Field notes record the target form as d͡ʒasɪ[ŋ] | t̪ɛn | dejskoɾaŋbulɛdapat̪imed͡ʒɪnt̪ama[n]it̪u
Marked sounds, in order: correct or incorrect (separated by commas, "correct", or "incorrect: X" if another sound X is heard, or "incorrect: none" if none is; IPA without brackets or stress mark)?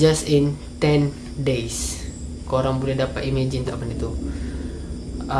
incorrect: n, correct